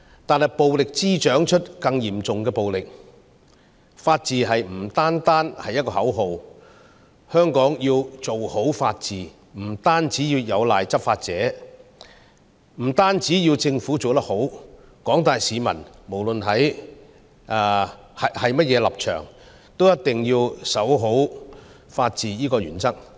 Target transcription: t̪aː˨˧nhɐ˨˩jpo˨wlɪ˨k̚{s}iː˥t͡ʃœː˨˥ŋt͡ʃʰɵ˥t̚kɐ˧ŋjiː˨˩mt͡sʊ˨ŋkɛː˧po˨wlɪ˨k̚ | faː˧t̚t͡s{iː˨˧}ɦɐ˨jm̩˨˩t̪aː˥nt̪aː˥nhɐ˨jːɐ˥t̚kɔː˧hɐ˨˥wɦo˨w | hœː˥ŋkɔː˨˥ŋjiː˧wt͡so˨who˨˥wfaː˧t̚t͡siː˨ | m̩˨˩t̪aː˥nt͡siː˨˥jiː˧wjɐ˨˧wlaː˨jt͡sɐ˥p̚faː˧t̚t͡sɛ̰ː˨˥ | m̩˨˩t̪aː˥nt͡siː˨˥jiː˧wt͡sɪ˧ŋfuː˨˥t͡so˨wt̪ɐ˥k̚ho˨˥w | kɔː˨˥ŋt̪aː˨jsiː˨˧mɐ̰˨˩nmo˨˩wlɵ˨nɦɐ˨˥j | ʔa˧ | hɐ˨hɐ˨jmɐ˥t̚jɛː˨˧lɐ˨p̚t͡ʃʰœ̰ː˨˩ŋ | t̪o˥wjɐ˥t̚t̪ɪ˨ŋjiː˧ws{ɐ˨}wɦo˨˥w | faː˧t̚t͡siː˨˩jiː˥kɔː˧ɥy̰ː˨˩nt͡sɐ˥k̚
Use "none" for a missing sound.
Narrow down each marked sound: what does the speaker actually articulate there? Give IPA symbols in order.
t͡s, iː˨˧, ɐ˨˥

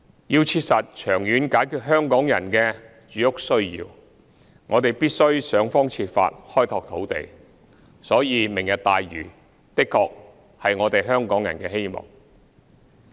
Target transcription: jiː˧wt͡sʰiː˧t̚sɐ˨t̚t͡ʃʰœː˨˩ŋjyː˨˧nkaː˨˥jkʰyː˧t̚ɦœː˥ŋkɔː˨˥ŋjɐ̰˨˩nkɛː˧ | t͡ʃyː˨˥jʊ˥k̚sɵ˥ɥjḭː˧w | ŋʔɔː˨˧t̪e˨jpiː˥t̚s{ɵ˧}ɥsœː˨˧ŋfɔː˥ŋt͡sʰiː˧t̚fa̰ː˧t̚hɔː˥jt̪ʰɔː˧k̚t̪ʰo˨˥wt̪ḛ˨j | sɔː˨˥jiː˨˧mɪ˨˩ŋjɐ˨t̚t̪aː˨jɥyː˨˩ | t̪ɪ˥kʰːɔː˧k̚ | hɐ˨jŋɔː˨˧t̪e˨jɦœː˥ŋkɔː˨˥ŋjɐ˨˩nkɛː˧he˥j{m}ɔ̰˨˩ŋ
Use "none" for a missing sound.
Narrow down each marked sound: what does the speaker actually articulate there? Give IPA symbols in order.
ɵ˥, m

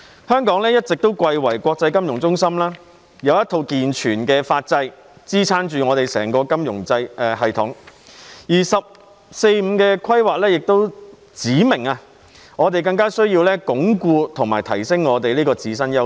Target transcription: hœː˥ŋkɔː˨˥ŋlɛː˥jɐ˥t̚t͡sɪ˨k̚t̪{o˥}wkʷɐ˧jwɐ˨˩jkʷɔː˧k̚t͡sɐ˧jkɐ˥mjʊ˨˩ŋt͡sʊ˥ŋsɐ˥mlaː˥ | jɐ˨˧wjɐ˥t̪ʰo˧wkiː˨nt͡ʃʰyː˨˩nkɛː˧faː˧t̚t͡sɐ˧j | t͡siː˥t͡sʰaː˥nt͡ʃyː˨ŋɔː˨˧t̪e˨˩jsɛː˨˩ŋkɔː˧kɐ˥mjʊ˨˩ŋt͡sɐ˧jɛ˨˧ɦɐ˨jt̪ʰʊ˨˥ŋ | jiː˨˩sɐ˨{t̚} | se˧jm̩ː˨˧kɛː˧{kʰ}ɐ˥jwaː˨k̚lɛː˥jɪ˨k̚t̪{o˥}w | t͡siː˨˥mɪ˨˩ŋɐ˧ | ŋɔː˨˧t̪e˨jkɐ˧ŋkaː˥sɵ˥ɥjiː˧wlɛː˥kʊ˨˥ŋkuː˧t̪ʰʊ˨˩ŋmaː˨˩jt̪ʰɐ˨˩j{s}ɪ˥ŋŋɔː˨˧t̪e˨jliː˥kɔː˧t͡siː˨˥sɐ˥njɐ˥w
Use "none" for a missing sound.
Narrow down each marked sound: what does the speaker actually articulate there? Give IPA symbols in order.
o˥, p̚, kʰ, o˥, s

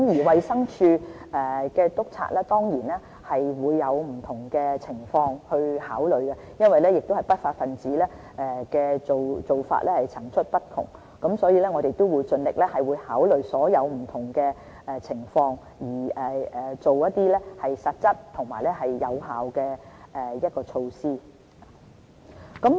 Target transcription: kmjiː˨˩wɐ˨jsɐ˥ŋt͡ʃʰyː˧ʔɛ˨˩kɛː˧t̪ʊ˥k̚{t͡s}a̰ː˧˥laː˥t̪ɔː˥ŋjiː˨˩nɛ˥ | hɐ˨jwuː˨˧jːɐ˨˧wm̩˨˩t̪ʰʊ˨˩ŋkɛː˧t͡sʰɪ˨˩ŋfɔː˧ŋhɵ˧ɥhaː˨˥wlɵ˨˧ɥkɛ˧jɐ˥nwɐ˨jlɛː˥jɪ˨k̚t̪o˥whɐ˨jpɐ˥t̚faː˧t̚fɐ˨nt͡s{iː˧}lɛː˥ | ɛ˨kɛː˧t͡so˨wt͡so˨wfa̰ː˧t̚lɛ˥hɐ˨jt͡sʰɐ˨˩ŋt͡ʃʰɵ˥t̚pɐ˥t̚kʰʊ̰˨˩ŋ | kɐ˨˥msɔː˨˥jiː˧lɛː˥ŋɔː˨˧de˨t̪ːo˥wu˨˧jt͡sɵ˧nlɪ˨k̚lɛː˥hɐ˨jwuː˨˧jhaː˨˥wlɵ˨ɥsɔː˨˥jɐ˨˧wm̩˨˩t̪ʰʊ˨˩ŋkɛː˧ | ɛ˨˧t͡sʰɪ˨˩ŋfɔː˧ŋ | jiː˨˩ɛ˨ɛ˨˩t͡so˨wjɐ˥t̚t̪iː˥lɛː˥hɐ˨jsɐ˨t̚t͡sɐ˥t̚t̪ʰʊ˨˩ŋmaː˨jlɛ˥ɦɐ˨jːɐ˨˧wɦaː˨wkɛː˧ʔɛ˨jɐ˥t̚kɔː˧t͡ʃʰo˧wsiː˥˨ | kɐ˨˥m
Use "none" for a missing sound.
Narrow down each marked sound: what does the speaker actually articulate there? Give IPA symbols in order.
t͡sʰ, iː˨˥

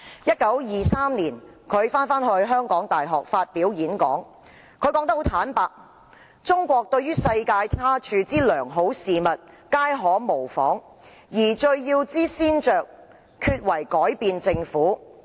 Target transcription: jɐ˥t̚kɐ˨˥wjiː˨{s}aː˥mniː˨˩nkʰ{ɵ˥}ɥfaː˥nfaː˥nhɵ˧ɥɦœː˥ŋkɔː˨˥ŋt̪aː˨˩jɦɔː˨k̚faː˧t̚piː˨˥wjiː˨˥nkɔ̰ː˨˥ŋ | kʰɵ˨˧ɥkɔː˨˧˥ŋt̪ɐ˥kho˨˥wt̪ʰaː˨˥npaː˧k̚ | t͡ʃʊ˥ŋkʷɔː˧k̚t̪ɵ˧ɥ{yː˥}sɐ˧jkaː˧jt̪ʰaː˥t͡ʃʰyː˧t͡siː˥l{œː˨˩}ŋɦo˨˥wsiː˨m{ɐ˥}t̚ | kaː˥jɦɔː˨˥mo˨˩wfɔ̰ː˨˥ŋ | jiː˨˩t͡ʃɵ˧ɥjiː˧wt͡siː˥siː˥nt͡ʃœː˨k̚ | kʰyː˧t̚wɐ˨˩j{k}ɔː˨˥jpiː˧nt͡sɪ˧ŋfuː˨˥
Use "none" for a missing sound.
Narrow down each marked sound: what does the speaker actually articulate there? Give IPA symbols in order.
s, ɵ˨˧, yː˥, œː˨˩, ɐ˨, k

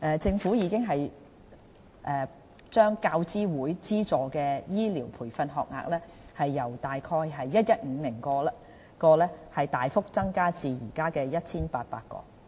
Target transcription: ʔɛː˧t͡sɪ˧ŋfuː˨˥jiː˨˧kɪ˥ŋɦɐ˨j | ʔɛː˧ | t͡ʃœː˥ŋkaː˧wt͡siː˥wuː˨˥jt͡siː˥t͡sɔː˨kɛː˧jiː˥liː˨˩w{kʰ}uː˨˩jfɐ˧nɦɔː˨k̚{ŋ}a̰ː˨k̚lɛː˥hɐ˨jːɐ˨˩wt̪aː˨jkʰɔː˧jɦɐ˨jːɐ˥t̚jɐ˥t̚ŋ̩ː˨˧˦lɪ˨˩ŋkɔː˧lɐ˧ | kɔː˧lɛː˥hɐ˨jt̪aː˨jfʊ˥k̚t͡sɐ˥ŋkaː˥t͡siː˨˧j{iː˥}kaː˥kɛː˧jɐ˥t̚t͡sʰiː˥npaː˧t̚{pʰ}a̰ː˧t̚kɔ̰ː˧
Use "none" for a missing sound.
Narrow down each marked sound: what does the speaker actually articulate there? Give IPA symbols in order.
pʰ, ŋ, iː˨˩, p

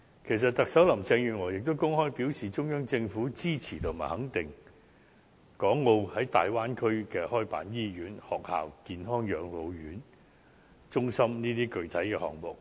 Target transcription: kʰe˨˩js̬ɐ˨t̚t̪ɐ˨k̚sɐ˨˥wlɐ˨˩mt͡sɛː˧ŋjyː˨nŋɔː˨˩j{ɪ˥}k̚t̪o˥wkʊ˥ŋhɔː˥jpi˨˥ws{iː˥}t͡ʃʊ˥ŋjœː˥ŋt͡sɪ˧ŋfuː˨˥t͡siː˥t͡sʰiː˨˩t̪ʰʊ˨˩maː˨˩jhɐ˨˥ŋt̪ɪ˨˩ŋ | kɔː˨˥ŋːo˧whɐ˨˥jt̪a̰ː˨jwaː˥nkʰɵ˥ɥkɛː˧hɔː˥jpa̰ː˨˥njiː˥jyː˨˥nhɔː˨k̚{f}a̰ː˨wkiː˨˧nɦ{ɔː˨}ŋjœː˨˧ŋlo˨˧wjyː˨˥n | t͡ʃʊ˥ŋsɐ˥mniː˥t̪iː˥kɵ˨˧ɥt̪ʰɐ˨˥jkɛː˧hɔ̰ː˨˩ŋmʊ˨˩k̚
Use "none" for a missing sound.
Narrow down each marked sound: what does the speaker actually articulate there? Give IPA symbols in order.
ɪ˨, iː˨, h, ɔː˥

